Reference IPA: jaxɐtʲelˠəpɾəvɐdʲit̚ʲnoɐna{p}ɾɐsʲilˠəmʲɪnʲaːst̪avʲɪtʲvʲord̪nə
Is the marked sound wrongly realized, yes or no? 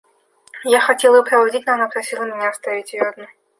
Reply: no